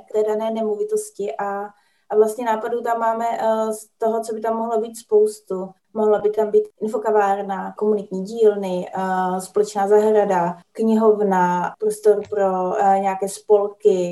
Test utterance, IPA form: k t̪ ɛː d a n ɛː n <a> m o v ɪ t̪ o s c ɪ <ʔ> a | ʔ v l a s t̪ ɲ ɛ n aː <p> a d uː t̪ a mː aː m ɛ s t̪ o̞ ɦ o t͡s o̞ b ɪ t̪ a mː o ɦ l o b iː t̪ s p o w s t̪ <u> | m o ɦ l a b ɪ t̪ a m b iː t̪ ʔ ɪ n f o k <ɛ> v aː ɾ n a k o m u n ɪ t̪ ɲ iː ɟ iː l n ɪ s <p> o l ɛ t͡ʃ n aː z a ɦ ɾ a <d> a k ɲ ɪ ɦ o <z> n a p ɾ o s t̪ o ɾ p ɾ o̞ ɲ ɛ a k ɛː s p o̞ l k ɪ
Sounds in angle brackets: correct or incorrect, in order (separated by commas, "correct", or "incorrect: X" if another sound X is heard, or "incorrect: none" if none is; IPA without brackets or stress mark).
incorrect: ɛ, correct, correct, correct, incorrect: a, correct, correct, incorrect: v